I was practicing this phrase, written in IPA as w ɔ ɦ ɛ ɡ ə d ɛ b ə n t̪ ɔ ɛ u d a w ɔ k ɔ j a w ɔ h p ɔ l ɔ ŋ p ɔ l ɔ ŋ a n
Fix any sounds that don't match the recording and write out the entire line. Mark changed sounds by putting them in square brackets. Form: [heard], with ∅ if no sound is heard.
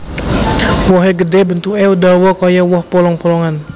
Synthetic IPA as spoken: w ɔ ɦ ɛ ɡ ə d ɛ b ə n t̪ [u] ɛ u d a w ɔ k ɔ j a w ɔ h p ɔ l ɔ ŋ p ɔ l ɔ ŋ a n